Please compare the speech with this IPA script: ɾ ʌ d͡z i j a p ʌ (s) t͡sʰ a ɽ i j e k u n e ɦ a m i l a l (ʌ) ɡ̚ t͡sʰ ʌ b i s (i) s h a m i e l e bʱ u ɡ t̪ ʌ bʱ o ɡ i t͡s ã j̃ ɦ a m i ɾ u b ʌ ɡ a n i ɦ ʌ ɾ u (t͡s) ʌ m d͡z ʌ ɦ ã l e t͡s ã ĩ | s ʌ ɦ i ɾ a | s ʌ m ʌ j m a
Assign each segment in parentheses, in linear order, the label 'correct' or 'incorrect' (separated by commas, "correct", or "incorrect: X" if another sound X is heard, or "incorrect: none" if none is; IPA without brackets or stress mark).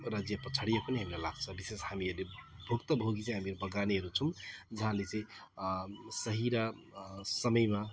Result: incorrect: none, incorrect: a, incorrect: e, incorrect: t͡sʰ